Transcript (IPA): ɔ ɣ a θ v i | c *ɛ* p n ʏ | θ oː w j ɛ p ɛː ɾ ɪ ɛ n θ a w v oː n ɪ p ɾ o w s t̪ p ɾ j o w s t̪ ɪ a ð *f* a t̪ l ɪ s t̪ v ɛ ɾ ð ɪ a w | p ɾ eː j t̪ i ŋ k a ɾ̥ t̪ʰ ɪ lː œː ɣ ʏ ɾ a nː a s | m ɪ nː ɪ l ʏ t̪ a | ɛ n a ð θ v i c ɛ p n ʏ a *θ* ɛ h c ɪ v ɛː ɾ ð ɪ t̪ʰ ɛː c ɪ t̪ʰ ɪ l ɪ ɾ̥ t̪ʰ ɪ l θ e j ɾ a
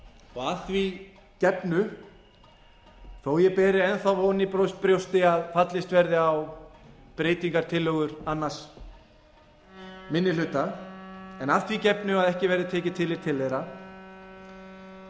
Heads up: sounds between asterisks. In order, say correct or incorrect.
correct, correct, incorrect: ð

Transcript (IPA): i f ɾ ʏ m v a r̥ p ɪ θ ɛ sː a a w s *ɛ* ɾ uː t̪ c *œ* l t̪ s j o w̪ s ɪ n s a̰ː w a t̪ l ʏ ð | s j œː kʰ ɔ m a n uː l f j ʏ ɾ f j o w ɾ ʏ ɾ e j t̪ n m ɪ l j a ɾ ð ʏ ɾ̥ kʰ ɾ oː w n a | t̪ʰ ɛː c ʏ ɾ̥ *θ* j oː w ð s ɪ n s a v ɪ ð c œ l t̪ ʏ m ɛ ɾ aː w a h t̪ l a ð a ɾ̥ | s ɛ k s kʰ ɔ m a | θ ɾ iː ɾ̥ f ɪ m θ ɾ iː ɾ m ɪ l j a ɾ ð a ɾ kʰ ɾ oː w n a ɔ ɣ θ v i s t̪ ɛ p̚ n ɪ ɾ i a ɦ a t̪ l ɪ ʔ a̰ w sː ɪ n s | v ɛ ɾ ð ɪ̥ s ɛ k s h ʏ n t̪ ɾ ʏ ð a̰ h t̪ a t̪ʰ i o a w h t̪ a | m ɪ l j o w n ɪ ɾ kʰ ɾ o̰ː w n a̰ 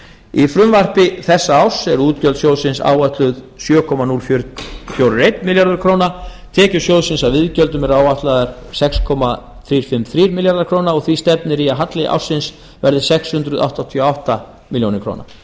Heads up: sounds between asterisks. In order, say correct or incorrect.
correct, correct, incorrect: s

